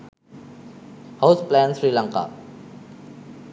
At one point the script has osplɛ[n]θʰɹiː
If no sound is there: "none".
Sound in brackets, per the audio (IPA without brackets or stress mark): n